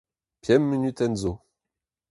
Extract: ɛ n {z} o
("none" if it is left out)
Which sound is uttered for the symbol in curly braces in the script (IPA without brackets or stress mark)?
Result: z